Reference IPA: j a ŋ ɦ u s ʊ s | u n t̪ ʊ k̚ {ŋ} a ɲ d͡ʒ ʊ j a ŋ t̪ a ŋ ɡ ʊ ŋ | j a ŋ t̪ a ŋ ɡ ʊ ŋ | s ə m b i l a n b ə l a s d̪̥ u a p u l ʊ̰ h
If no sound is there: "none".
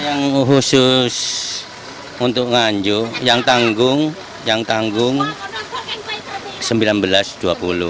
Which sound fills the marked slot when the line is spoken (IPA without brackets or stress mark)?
ŋ